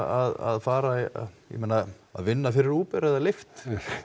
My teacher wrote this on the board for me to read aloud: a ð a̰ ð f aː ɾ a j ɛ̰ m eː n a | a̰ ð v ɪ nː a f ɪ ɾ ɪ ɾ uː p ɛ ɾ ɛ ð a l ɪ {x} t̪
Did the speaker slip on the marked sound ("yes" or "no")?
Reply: yes